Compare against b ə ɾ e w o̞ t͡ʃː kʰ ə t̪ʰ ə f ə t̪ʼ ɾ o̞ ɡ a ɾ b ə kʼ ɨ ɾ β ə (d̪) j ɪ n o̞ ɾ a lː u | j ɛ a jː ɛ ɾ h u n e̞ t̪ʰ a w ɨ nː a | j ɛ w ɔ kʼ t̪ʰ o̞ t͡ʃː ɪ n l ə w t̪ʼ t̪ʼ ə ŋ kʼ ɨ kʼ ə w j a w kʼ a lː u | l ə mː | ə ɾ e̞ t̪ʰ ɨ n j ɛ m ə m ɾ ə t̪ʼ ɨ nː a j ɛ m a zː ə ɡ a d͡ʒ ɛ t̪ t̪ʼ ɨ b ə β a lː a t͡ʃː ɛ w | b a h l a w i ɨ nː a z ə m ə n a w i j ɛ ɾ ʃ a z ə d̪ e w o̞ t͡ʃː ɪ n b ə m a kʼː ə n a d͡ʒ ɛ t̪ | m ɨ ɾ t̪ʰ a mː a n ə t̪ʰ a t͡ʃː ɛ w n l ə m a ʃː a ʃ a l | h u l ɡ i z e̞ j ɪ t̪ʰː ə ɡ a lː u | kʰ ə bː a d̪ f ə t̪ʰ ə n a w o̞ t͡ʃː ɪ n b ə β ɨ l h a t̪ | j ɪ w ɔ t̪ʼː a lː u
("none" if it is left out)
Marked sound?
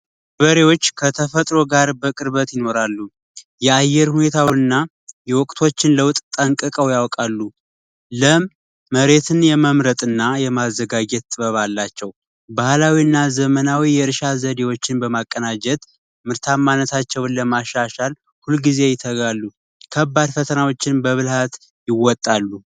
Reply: t̪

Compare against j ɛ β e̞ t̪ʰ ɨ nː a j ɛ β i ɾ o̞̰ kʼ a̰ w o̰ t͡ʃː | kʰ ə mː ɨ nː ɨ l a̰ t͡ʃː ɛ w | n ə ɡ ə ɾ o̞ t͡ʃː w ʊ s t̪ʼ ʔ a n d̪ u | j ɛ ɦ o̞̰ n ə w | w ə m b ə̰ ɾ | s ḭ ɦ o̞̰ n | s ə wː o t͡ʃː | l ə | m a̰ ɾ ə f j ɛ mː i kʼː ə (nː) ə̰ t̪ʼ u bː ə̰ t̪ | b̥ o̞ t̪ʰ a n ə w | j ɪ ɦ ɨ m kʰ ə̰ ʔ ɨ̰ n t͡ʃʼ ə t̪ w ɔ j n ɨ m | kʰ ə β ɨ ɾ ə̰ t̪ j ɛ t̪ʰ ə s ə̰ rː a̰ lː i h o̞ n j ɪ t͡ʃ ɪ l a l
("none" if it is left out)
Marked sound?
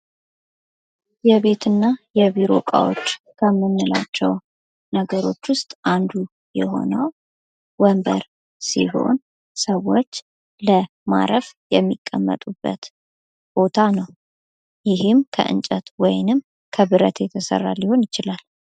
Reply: mː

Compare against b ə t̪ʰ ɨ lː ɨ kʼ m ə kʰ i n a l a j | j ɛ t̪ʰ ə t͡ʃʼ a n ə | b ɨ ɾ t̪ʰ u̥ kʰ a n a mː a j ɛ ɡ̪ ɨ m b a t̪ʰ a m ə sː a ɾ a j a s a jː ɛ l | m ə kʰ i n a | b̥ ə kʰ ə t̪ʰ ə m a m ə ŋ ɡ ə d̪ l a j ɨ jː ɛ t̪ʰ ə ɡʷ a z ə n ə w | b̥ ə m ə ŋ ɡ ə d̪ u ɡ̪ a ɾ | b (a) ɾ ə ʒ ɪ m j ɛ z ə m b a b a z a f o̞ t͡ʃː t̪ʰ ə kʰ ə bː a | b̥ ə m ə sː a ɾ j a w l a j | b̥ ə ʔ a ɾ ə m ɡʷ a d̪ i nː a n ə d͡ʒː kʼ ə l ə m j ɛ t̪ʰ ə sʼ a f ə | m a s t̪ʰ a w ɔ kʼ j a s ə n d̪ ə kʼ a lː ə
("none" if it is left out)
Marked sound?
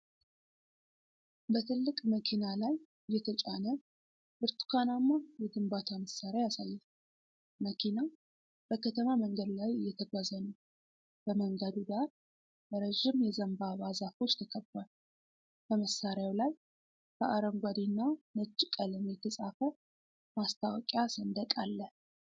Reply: ə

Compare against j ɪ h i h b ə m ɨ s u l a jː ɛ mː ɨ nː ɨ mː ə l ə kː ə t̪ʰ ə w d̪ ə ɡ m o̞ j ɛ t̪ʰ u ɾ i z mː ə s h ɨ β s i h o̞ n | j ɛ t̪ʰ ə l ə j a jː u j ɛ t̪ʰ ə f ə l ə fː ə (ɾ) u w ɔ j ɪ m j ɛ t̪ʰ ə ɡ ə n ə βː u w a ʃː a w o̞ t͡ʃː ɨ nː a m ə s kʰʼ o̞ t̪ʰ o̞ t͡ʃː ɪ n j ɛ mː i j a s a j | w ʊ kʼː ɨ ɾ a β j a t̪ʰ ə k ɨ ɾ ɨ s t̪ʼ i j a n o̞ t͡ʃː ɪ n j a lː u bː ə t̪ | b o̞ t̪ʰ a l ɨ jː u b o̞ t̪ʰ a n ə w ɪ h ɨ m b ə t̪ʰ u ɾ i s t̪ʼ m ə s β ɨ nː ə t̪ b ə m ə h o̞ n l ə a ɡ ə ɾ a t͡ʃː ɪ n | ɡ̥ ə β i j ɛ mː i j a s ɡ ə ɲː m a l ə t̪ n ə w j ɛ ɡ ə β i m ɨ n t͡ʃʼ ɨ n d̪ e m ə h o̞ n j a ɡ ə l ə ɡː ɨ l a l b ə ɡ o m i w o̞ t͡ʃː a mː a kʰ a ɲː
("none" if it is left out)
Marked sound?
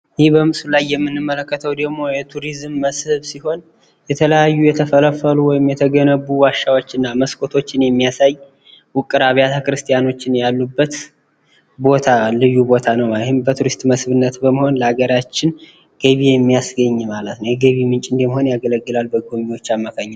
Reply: l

